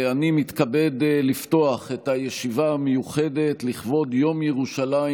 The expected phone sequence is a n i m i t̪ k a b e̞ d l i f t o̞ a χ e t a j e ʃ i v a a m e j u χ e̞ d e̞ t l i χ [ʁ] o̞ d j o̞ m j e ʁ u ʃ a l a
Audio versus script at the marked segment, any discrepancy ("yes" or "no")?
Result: yes